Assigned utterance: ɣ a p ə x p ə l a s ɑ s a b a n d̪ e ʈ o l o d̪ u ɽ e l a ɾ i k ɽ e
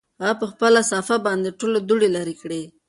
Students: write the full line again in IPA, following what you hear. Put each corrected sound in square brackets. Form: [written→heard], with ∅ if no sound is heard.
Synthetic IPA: ɣ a p ə x p ə l a s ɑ [s→f] a b [a→ɑ] n d̪ e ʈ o l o d̪ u ɽ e l a ɾ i k ɽ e